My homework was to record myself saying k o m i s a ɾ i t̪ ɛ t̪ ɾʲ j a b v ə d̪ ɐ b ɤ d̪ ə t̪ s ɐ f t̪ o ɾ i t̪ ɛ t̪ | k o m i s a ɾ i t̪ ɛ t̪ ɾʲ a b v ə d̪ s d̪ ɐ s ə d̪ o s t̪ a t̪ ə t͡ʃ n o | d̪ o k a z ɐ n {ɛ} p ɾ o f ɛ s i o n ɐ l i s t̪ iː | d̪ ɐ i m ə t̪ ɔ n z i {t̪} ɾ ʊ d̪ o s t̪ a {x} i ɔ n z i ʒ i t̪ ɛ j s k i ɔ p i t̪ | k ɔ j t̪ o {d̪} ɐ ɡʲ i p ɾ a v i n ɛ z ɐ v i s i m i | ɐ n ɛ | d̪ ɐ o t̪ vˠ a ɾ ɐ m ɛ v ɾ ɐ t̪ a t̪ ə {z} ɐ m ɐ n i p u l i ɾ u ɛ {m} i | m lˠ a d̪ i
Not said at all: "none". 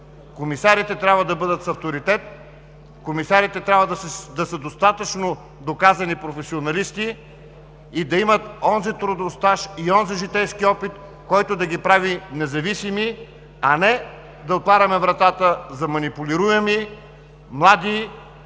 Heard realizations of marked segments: i, t̪, ʃ, d̪, z, m

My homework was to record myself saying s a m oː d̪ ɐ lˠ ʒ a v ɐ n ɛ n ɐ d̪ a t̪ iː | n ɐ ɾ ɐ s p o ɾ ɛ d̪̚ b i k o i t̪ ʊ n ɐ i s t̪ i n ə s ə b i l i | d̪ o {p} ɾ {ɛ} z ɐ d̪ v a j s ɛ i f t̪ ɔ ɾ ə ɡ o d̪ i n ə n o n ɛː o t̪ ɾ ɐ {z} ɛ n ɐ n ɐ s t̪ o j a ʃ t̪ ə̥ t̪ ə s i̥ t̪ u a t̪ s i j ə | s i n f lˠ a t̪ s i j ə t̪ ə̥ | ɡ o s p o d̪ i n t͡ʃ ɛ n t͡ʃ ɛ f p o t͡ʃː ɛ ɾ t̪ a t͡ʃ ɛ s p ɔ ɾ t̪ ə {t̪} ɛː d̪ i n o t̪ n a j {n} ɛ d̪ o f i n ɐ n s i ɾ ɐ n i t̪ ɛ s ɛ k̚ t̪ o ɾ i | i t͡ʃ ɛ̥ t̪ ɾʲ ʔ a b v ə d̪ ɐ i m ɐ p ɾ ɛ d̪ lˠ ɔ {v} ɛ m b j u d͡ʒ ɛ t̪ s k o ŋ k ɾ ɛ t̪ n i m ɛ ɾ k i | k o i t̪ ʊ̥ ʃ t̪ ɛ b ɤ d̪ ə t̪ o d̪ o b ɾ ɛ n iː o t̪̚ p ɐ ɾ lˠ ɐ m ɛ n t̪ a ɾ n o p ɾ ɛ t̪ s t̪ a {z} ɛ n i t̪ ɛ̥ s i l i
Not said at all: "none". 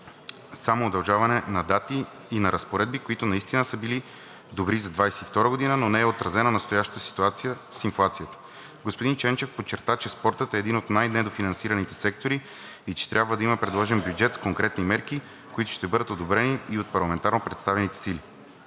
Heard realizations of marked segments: b, i, z, t̪, n, ʒ, v

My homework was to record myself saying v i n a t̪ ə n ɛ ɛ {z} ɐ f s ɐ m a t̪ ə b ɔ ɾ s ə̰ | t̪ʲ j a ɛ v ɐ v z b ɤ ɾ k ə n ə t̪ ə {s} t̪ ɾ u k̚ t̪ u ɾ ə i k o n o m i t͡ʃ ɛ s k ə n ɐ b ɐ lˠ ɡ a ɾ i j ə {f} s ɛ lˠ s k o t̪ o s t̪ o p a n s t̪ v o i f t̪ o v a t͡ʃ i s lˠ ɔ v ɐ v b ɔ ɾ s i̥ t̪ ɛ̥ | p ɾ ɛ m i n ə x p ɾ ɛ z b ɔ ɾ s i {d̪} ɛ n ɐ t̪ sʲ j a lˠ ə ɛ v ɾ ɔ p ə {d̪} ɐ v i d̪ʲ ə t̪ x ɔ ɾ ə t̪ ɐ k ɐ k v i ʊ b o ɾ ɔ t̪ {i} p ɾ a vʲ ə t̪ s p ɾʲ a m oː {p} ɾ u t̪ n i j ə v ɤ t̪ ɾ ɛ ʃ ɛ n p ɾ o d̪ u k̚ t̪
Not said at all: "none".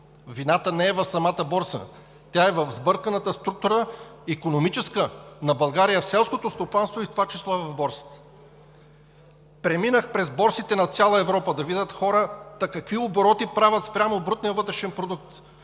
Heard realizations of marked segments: v, s, f, t̪, d̪, i, b

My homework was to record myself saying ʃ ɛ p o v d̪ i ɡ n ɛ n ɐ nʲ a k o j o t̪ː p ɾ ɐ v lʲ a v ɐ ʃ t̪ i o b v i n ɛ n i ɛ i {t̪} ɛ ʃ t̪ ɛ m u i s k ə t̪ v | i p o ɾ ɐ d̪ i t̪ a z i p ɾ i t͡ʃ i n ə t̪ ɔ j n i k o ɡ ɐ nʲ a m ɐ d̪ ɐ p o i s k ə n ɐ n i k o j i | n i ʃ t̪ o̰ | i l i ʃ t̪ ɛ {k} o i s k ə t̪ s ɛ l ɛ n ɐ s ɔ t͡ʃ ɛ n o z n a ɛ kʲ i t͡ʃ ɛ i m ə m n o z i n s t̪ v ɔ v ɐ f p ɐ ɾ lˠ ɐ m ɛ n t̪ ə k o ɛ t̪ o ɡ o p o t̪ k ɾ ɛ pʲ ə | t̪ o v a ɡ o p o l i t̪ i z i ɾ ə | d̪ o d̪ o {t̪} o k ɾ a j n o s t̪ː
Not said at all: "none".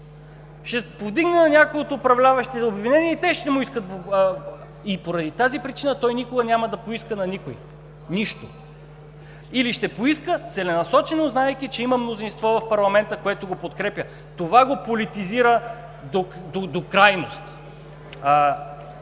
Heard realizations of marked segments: t̪, p, d̪

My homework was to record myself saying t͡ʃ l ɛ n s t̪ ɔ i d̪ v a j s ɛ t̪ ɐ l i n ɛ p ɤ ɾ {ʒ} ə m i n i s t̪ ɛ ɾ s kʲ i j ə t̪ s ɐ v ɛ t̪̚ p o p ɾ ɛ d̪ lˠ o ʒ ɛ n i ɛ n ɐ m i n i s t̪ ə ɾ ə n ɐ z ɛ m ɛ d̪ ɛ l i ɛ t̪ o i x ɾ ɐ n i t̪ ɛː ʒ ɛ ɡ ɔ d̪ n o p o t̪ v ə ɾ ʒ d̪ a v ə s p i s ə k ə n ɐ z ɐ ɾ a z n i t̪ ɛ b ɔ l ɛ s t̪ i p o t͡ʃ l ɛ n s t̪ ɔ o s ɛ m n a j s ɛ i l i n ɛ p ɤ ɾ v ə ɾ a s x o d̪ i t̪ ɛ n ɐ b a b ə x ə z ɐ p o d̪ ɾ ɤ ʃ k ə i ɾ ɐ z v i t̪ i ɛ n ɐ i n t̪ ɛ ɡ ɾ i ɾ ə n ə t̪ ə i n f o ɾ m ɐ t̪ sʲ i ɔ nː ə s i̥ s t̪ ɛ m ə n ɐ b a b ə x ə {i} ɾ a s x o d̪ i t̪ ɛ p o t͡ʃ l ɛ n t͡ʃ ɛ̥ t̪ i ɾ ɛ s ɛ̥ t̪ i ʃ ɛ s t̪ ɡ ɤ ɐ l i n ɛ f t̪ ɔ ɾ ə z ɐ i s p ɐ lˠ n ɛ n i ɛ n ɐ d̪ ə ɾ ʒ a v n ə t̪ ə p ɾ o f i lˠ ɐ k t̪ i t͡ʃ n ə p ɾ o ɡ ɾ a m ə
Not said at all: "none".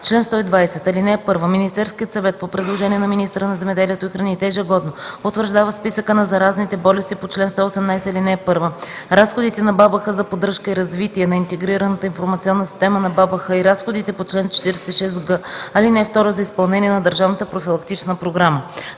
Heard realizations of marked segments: v, i

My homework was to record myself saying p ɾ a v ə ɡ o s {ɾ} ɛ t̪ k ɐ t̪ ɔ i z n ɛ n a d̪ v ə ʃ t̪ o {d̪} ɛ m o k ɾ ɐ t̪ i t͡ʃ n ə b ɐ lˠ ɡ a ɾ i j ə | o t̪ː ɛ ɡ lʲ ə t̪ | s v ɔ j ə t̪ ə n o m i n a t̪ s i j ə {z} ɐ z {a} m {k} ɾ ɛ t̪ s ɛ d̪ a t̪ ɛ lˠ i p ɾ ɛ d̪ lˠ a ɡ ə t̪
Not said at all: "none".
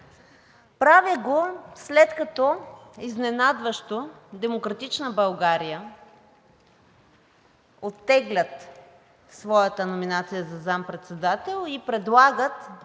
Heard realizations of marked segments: l, d̪, z, a, p

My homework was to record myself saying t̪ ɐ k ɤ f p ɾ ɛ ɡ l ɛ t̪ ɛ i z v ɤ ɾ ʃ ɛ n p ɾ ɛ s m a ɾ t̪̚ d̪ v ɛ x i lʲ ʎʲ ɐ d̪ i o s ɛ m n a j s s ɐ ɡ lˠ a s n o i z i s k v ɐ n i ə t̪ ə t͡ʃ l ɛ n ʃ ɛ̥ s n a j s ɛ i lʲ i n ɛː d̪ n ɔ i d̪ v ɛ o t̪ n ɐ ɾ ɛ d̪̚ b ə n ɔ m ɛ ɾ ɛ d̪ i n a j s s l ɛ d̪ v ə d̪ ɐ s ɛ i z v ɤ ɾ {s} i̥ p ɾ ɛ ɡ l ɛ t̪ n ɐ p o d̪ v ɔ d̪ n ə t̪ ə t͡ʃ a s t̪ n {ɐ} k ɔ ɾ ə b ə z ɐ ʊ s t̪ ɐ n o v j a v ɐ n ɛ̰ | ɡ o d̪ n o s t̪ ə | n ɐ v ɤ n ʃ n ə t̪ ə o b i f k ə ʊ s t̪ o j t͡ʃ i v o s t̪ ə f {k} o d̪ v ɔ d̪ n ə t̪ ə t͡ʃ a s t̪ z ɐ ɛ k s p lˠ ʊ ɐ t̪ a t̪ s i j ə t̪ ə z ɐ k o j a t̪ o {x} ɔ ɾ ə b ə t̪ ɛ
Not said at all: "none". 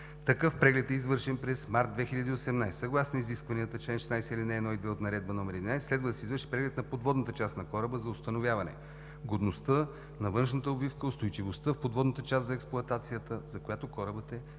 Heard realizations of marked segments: ʃ, ɐ, p, k

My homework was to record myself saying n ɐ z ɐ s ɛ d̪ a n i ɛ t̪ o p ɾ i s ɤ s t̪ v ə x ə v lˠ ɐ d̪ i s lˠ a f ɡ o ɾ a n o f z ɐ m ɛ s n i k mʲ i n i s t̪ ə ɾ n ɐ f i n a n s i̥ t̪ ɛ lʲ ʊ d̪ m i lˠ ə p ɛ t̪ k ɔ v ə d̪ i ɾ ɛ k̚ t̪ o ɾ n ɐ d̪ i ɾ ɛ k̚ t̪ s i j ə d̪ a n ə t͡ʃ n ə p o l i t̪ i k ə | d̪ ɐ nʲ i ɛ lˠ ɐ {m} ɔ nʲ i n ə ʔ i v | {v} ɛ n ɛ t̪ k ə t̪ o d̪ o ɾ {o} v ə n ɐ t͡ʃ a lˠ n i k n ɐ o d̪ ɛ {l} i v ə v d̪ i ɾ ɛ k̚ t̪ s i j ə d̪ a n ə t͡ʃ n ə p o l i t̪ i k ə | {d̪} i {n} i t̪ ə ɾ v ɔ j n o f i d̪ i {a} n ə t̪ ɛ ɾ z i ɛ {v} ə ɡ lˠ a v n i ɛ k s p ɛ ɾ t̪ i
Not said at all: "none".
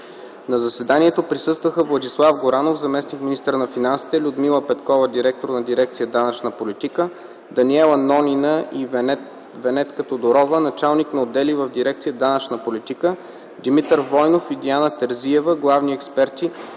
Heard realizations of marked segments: n, v, ɔ, l, d̪, m, a, v

